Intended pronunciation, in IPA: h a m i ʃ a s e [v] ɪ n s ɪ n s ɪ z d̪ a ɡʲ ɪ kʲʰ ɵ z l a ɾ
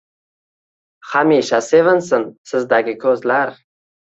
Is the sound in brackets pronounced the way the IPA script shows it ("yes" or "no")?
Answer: yes